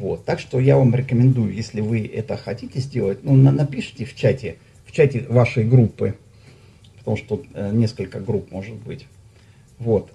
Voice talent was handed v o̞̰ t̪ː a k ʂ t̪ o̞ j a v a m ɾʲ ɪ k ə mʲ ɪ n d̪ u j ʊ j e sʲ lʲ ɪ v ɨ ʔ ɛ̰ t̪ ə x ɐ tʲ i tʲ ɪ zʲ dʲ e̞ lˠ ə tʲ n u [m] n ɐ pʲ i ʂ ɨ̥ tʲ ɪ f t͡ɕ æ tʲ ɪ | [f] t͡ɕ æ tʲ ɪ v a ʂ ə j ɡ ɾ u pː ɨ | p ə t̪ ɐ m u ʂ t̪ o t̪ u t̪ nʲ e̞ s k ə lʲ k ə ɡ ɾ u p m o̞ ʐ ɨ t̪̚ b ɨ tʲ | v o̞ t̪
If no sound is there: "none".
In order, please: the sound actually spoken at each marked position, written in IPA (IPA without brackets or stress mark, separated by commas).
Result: n, f